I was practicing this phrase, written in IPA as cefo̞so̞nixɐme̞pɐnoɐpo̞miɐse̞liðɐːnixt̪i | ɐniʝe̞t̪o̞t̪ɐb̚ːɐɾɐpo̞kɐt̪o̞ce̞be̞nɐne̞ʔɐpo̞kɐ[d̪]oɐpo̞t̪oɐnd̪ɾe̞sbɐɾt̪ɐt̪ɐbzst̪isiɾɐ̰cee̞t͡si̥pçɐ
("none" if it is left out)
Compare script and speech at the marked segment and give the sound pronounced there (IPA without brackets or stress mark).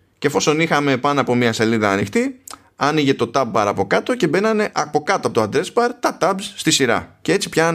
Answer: t̪